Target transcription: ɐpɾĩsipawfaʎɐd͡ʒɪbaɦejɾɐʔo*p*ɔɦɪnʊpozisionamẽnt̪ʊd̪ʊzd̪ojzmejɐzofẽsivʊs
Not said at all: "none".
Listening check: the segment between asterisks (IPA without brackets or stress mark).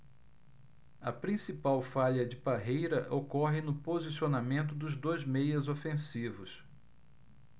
k